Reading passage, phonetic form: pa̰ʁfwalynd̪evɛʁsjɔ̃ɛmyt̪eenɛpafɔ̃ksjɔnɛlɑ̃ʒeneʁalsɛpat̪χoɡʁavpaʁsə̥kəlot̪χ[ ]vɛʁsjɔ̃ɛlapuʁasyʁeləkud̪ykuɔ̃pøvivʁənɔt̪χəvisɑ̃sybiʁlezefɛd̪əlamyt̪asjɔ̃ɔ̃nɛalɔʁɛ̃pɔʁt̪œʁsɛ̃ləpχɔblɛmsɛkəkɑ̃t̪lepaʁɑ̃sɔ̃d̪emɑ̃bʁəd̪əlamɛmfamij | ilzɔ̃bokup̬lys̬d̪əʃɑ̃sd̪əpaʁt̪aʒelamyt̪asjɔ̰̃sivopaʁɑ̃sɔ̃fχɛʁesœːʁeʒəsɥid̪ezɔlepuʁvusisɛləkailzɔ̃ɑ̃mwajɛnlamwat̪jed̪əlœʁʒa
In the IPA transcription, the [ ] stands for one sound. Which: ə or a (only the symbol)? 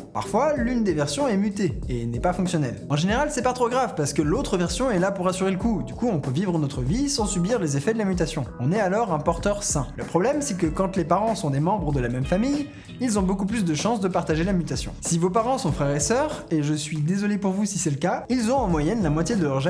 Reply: ə